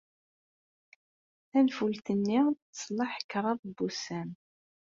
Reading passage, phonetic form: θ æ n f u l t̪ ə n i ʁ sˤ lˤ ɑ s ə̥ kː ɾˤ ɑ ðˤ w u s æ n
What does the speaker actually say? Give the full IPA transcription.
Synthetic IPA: θ æ n f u l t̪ ə nː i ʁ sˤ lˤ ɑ ħ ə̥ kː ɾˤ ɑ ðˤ b u s æ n